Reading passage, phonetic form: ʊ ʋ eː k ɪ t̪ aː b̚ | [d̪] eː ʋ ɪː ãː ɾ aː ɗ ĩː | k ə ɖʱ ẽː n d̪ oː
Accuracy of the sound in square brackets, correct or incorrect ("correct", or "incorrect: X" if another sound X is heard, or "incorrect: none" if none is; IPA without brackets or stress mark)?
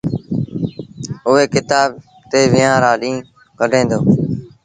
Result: incorrect: t̪